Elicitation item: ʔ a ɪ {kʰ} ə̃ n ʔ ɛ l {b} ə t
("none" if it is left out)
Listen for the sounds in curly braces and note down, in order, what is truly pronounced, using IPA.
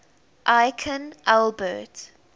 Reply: kʰ, b

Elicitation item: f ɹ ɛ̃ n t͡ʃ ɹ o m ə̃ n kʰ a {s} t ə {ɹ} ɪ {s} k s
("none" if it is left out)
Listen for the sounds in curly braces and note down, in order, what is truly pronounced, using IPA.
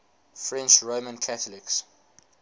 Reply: none, l, none

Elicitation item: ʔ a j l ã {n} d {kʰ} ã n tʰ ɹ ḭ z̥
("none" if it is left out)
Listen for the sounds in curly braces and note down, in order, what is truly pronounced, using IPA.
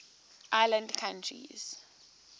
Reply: n, kʰ

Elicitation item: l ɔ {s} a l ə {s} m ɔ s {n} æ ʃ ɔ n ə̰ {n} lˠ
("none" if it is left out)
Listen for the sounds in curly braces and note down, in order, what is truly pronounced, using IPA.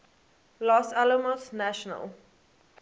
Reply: s, none, n, none

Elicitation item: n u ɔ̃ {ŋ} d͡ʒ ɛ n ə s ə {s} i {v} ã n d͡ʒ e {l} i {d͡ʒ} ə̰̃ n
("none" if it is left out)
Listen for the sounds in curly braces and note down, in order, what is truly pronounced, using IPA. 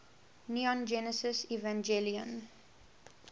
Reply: n, s, v, l, none

